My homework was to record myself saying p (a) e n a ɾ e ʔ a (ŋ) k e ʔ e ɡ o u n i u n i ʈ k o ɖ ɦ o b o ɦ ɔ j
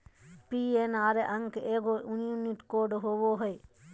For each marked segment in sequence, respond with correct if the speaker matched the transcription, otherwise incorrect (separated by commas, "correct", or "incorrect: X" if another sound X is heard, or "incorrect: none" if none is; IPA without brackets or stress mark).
incorrect: i, correct